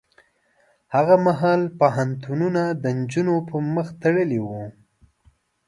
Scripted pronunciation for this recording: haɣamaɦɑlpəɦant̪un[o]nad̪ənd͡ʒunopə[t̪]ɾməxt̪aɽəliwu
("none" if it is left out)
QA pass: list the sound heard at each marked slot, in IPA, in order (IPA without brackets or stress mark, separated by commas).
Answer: u, none